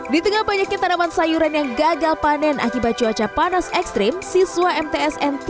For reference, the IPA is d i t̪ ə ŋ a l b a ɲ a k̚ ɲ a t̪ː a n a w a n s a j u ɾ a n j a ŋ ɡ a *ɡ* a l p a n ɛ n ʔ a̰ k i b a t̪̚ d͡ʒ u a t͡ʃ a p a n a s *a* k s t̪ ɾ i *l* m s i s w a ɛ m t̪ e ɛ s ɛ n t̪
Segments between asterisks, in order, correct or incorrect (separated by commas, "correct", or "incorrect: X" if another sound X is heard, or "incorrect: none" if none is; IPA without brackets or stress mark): correct, incorrect: ɛ, incorrect: none